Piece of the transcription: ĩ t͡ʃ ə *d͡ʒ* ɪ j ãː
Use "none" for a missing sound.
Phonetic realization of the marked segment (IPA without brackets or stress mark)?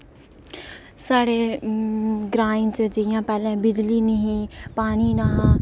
d͡ʒ